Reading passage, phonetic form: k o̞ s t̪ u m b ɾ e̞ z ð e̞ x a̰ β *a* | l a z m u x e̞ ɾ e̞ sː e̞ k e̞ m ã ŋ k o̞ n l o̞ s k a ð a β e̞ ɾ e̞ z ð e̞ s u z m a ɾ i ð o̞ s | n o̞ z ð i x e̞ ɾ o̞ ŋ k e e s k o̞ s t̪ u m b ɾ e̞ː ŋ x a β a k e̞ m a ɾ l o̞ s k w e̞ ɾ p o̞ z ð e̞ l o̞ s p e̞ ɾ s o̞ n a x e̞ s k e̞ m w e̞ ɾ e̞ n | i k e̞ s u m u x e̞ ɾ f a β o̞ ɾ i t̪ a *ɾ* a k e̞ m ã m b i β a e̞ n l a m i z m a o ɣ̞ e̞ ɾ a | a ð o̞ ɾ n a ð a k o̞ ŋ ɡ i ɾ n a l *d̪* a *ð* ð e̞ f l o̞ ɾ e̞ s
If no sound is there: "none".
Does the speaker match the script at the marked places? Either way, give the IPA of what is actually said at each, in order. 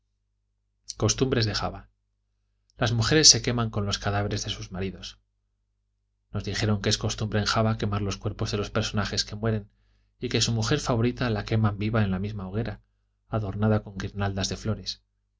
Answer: a, l, d̪, z

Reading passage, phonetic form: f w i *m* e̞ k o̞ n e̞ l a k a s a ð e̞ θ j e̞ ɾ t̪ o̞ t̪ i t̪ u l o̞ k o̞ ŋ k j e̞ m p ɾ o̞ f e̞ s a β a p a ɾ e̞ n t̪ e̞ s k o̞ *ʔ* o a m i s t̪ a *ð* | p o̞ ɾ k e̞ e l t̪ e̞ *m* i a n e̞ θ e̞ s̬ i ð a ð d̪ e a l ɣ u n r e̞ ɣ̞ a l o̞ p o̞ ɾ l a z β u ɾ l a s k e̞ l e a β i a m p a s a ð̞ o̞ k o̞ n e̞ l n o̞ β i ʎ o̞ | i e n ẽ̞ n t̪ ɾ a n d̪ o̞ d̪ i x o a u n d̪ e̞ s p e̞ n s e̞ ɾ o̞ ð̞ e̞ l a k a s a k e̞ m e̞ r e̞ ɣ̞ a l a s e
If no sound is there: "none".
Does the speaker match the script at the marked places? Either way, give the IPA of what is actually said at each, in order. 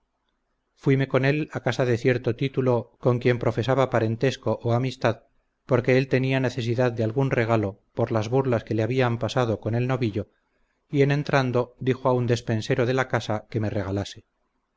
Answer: m, ʔ, ð, n

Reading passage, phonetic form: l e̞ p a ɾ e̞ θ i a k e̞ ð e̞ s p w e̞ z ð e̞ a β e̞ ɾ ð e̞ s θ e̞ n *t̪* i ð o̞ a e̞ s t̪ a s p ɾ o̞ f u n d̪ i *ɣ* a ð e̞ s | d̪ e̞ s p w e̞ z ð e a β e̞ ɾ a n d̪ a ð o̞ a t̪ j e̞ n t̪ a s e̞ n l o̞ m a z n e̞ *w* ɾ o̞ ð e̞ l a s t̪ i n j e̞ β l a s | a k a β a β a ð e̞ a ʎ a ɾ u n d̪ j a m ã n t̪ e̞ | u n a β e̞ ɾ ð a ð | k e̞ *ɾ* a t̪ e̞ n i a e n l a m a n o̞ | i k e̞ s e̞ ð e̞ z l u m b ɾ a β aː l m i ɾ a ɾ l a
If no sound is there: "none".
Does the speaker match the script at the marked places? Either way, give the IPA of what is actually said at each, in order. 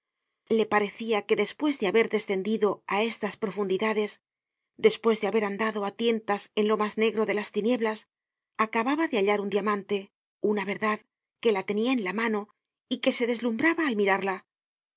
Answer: d̪, ð, ɣ, l

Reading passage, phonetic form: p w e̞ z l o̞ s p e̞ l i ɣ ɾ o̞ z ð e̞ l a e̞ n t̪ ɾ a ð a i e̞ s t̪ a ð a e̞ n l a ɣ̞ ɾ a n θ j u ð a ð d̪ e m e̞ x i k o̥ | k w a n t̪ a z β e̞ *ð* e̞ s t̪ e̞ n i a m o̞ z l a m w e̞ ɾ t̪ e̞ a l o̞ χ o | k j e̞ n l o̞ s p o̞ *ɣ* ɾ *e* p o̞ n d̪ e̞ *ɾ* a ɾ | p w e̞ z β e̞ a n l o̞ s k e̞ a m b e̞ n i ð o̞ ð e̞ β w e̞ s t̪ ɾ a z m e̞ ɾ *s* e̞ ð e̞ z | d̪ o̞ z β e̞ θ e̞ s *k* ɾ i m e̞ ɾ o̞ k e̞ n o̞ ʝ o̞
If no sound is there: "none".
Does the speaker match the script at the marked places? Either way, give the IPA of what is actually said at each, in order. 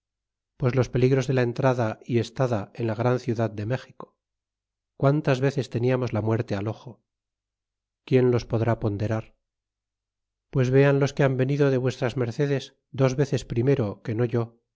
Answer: θ, ð, a, ɾ, θ, p

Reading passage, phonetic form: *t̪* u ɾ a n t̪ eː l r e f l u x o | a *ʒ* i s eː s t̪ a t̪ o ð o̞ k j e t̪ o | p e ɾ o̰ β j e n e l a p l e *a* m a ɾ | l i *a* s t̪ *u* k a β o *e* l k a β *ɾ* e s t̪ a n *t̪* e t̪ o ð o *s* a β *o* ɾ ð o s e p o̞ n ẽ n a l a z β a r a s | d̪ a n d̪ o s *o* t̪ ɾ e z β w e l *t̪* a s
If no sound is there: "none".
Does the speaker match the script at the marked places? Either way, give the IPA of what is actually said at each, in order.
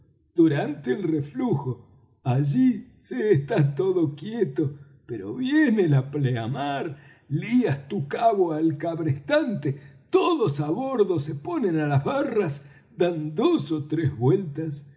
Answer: d̪, ʒ, a, a, u, a, ɾ, t̪, s, o, o, t̪

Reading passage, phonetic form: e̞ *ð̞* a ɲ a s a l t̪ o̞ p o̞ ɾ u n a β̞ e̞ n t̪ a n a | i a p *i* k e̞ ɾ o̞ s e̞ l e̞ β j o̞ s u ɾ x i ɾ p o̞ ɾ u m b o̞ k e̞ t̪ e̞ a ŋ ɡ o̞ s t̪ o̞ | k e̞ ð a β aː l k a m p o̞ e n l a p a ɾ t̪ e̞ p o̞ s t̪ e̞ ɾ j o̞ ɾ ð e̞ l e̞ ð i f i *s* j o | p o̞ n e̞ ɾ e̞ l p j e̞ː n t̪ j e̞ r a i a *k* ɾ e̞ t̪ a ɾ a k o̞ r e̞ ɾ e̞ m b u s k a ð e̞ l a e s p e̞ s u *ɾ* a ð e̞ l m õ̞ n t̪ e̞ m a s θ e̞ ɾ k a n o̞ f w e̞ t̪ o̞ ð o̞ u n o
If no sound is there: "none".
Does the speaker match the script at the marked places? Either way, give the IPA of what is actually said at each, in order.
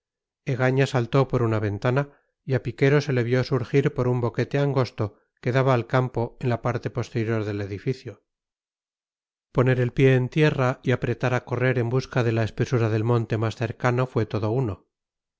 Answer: ɣ̞, i, θ, p, ɾ

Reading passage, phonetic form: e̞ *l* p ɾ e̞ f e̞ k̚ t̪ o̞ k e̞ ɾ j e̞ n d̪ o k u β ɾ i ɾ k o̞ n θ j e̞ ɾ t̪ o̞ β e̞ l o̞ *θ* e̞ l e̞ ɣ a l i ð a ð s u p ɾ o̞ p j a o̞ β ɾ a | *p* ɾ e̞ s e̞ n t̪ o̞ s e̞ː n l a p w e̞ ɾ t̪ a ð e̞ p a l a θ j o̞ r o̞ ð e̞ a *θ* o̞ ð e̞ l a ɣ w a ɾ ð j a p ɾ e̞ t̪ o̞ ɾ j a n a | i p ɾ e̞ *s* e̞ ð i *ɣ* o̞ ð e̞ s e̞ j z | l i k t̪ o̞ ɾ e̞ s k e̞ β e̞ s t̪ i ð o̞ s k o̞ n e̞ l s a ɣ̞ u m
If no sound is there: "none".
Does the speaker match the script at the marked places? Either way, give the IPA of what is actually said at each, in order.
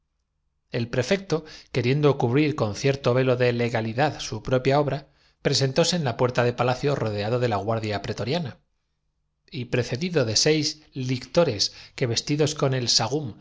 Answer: l, ð, p, ð, θ, ð

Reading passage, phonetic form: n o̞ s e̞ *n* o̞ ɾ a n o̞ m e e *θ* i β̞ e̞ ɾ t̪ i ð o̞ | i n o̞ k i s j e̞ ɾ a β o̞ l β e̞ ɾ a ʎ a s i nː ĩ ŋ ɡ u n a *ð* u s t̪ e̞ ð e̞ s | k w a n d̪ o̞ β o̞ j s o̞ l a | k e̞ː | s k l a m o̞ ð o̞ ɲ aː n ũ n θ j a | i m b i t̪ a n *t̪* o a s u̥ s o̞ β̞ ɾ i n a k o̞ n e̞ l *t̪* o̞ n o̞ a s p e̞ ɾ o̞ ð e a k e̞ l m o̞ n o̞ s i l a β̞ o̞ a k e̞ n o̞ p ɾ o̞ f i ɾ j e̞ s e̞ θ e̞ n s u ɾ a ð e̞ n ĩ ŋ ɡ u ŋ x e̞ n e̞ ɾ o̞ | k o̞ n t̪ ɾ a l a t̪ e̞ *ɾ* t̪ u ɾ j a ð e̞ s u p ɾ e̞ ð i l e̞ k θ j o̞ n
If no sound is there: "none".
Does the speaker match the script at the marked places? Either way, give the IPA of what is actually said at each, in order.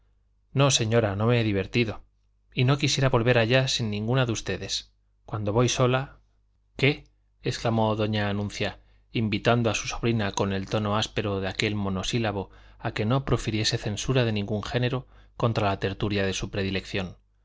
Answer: ɲ, ð, ð, d̪, t̪, ɾ

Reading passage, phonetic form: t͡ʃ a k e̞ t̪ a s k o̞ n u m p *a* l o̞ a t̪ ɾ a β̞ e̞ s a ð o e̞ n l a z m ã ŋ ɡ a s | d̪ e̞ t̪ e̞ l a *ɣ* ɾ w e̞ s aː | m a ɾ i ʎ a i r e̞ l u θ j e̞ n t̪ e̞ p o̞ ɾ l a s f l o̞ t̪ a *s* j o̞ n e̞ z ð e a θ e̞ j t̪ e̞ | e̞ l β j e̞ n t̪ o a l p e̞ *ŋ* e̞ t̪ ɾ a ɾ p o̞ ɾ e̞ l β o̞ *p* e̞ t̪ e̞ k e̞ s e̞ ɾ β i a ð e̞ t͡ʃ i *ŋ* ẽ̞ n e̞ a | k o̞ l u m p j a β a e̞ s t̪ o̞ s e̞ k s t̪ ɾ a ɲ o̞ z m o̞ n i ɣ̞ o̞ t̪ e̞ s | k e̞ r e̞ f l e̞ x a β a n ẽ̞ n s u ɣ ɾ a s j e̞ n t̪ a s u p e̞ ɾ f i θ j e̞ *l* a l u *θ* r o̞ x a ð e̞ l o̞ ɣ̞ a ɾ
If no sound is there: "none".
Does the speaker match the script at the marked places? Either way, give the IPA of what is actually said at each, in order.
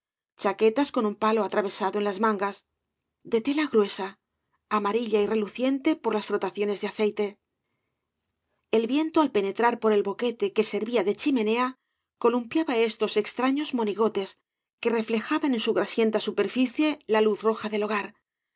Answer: a, ɣ, θ, n, k, m, l, θ

